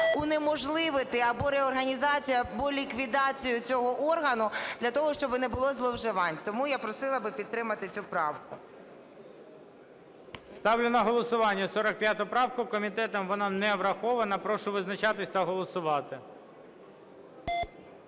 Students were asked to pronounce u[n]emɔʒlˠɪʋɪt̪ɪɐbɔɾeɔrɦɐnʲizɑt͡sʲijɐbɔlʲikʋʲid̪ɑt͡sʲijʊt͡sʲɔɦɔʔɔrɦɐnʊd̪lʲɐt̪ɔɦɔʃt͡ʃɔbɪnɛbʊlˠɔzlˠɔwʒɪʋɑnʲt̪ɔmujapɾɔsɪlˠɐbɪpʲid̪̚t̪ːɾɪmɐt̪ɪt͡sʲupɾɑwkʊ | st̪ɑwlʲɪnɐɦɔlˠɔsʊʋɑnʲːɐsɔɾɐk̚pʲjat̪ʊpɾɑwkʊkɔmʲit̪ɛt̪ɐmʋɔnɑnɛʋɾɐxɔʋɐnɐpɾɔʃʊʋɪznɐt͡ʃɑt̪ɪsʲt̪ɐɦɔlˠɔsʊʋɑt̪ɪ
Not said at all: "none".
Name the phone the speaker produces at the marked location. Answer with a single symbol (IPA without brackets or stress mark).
n